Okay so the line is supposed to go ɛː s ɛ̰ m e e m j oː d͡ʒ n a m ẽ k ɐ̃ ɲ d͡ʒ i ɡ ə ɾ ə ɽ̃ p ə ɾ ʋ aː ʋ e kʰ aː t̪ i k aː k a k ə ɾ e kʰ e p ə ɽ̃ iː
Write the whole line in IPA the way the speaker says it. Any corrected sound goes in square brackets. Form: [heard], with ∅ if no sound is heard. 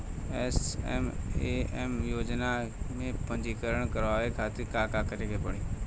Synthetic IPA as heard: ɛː s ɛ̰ m e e m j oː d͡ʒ n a m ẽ [p] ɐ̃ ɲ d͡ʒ i [k] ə ɾ ə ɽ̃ [k] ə ɾ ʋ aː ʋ e kʰ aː t̪ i k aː k a k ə ɾ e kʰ e p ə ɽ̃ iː